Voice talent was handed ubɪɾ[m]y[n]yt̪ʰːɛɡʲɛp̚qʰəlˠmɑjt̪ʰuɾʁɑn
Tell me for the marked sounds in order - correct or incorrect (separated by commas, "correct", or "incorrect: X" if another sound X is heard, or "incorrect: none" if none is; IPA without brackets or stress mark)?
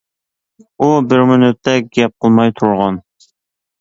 correct, correct